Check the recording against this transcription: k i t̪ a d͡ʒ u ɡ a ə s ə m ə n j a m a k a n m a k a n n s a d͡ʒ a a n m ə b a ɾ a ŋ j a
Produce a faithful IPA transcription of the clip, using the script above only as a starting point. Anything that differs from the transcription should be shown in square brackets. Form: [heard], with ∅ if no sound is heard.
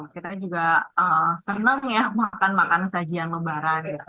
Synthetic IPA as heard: k i t̪ a d͡ʒ u ɡ a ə s ə [n] ə [ŋ] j a m a k a n m a k a n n s a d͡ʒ [i] a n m ə b a ɾ a [n] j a